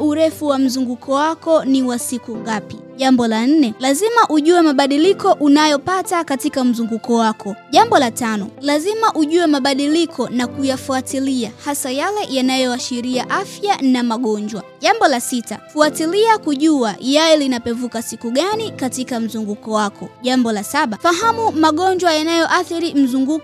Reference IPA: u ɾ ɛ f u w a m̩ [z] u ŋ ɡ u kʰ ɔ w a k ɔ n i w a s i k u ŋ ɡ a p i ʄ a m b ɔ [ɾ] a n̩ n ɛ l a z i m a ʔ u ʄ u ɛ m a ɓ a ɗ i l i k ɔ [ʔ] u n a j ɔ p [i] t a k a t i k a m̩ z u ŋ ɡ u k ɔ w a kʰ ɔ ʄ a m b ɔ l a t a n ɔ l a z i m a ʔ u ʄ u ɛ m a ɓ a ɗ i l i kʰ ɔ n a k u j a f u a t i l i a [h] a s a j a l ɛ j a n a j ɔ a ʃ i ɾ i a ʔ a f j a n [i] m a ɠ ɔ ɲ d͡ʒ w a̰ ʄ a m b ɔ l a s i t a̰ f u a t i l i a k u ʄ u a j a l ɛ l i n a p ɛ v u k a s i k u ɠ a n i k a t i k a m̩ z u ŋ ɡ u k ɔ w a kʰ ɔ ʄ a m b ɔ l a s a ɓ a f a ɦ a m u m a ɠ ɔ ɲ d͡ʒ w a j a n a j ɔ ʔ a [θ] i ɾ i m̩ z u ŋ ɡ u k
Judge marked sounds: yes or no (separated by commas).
yes, no, yes, no, yes, no, yes